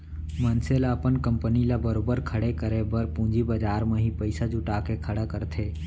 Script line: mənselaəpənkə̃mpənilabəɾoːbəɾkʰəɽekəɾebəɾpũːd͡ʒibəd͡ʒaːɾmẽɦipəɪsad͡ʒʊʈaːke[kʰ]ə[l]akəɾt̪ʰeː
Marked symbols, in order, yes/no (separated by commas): yes, no